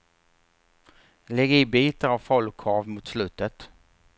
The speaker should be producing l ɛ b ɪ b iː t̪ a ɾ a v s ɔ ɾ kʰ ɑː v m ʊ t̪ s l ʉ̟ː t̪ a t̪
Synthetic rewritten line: l ɛ ɡ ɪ b iː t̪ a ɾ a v f ɔ l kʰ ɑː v m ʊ t̪ s l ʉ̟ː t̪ ə t̪